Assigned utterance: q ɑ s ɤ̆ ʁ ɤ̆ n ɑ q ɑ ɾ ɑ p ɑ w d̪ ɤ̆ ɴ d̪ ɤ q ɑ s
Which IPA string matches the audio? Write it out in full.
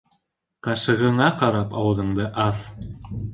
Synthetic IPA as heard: q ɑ ʃ ɤ̆ ʁ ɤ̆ ɴ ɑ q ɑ ɾ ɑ p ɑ w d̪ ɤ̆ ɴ d̪ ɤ ʔ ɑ s